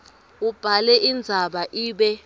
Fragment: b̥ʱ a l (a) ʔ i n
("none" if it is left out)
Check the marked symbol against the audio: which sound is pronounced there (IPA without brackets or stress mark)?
ɛ